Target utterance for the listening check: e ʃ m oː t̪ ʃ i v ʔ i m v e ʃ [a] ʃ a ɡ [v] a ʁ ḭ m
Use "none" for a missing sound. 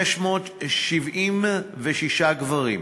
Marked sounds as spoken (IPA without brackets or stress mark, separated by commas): i, v